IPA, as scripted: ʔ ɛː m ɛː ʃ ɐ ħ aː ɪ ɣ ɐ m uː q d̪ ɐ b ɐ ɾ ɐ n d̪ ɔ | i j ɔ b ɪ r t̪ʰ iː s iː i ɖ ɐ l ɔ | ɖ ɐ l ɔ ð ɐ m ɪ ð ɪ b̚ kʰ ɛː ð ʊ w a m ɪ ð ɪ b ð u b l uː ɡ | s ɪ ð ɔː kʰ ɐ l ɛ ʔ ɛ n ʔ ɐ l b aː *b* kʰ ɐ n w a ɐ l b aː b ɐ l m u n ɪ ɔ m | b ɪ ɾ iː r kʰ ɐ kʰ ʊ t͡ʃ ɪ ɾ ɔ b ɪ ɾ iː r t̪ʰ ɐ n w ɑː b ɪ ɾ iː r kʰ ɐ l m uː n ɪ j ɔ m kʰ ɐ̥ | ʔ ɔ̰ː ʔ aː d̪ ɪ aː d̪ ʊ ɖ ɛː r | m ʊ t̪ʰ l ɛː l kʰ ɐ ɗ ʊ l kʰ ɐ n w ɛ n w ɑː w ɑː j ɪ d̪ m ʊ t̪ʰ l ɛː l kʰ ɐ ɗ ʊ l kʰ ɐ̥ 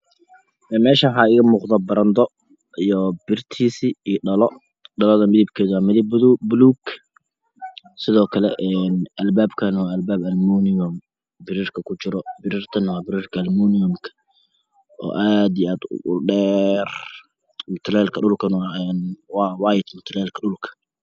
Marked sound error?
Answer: no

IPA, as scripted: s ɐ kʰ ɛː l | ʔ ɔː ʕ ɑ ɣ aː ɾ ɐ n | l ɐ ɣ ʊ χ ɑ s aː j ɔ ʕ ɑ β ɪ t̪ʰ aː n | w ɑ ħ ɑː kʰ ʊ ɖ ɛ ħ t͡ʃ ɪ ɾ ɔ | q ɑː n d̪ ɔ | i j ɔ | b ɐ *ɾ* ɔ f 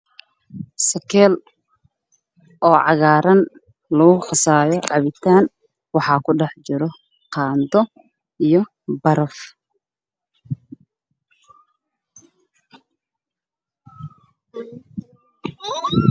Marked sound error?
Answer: no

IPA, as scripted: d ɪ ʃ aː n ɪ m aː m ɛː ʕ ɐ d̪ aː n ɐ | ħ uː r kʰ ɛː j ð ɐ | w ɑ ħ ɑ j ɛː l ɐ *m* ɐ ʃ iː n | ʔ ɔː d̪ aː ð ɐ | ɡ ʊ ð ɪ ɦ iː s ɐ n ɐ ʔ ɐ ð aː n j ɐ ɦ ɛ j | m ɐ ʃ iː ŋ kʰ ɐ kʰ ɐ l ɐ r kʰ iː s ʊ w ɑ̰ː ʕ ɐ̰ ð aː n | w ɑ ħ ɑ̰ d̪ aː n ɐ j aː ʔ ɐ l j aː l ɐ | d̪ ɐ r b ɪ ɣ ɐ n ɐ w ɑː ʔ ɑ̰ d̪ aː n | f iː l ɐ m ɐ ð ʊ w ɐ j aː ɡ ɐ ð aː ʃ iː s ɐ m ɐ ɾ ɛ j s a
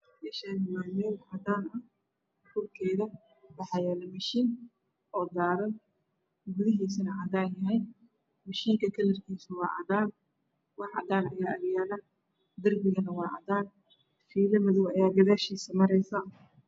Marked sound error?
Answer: no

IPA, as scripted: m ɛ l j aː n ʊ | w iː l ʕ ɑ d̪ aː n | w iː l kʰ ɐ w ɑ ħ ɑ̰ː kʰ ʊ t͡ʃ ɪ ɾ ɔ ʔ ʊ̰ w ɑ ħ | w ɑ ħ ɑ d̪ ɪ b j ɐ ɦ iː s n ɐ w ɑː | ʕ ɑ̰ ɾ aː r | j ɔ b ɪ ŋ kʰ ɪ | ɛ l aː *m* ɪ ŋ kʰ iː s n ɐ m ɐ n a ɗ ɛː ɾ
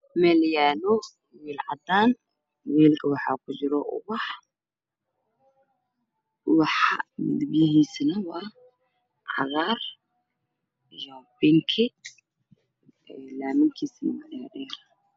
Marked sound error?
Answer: no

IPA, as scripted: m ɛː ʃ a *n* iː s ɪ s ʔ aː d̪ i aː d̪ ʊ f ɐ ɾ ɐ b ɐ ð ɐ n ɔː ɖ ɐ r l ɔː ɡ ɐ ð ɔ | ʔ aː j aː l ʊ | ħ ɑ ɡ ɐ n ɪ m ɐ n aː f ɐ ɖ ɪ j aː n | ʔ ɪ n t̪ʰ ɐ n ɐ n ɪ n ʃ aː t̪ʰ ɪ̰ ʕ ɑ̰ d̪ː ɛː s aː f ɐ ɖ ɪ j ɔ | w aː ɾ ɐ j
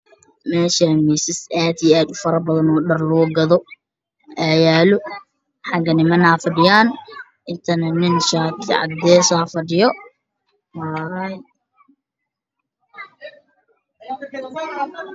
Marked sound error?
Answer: yes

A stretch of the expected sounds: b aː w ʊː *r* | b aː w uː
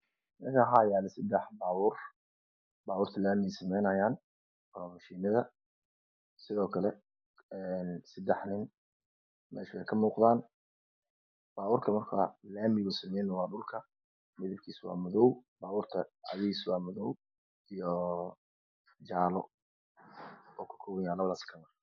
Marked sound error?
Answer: no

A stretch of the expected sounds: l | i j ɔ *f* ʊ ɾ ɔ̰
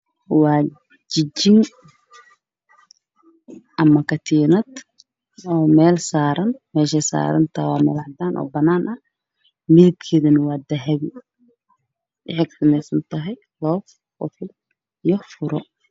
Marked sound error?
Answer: no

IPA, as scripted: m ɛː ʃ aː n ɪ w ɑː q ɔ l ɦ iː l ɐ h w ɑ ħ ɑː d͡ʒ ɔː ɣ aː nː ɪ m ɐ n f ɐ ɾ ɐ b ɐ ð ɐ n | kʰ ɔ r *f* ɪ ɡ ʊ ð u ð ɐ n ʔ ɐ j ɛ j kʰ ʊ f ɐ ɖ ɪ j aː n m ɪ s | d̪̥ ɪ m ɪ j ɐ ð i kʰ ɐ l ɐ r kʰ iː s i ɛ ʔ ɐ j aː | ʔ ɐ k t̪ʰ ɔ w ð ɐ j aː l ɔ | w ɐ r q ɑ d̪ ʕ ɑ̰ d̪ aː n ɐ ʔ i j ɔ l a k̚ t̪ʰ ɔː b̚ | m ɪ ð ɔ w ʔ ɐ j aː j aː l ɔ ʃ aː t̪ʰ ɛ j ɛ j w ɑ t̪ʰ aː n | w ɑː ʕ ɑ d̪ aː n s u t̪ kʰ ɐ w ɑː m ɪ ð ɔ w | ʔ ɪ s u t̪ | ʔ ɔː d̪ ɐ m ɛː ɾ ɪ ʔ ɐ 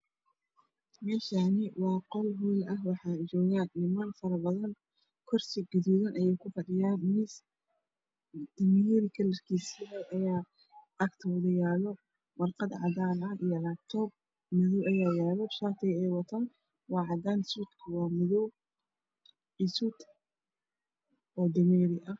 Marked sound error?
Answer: yes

